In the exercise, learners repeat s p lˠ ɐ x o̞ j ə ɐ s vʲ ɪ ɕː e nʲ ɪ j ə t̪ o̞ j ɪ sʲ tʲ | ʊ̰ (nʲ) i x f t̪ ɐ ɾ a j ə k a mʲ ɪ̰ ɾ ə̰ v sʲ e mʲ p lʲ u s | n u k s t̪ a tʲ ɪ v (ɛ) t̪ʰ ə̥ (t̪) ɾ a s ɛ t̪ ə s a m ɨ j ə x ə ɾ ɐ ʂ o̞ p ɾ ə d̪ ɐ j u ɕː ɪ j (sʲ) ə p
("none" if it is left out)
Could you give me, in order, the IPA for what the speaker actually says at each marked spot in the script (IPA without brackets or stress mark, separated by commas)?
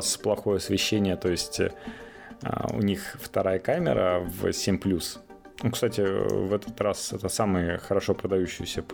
nʲ, ɛ, t̪, sʲ